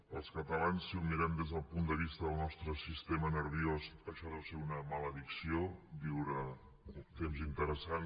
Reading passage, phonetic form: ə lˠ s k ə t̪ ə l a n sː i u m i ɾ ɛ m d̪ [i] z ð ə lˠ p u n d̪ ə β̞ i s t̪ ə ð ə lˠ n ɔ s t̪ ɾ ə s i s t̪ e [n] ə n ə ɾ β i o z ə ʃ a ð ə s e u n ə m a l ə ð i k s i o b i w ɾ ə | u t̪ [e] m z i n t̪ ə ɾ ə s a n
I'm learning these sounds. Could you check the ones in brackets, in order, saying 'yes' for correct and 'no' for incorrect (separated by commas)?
no, no, yes